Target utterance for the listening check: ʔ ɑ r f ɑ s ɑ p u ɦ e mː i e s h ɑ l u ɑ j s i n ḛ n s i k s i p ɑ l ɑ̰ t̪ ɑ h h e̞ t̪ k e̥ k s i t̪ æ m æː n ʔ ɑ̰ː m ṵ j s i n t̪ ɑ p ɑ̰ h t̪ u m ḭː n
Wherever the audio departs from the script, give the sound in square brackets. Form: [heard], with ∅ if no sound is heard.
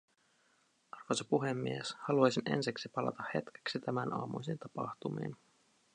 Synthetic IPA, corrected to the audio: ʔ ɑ r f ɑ s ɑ p u ɦ e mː i e s h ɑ l u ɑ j s i n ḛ n s i k s i p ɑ l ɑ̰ t̪ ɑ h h e̞ t̪ k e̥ k s i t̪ æ m [æ] n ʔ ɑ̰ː m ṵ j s i n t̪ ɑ p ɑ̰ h t̪ u m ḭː n